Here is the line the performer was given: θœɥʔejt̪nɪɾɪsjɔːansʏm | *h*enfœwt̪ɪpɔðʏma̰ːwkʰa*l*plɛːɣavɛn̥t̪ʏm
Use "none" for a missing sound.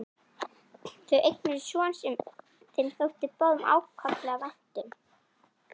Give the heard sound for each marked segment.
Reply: θ, none

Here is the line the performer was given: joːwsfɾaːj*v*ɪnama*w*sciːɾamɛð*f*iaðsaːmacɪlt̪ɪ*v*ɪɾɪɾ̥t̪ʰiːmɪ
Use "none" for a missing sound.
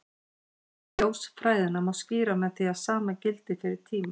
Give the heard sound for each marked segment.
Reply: ð, w, θ, f

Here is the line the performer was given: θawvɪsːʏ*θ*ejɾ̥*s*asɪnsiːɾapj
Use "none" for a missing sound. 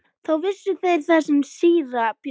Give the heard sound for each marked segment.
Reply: θ, θ

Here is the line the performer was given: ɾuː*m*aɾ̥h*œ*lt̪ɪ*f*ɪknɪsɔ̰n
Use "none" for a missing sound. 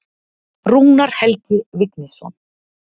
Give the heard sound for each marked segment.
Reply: n, ɛ, v

